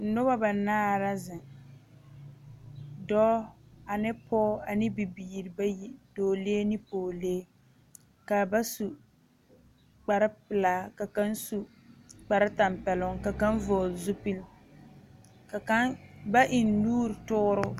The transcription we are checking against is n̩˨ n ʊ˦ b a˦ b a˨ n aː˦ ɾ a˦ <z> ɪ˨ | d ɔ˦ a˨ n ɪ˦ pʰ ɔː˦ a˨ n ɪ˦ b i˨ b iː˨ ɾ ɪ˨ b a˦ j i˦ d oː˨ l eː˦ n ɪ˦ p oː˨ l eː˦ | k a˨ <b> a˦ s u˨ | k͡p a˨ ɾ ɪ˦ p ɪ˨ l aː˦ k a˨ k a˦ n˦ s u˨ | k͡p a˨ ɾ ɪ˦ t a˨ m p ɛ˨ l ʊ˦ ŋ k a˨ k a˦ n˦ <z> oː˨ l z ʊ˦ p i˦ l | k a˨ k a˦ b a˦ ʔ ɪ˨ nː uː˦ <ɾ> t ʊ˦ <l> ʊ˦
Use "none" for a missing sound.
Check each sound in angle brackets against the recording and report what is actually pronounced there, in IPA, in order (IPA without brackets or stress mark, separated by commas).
z, b, v, ɾ, ɾ